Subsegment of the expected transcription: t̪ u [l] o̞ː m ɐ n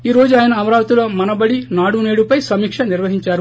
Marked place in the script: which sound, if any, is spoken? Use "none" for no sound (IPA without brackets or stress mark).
l